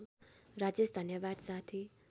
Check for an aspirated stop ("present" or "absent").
present